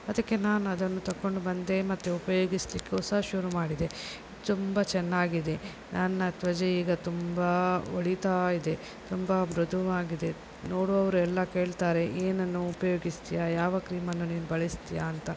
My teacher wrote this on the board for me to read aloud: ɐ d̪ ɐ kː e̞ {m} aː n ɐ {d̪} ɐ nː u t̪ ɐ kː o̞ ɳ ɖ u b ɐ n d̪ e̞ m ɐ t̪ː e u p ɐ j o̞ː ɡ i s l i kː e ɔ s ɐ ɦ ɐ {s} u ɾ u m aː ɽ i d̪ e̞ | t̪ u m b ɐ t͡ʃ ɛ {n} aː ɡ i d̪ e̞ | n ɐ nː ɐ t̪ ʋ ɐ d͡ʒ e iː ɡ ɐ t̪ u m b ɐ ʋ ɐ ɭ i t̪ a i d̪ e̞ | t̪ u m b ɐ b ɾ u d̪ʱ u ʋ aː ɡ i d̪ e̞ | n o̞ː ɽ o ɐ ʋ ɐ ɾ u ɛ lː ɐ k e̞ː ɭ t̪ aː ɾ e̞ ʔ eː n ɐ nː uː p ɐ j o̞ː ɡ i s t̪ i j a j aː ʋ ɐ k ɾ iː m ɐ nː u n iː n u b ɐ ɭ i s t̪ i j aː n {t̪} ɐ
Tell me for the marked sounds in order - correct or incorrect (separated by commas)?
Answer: incorrect, correct, incorrect, incorrect, correct